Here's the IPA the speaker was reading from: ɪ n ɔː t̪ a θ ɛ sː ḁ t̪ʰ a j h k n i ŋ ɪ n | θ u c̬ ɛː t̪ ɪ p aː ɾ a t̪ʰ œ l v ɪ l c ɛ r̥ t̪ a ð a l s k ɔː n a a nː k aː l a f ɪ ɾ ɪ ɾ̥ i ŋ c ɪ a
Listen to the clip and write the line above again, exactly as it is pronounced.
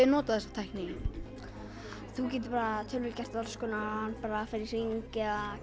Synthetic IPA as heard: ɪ n ɔː t̪ a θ ɛ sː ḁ t̪ʰ a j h k n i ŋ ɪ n | θ u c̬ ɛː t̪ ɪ p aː ɾ a t̪ʰ œ l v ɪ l c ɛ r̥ t̪ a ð a l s k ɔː n a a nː p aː ɾ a f ɪ ɾ ɪ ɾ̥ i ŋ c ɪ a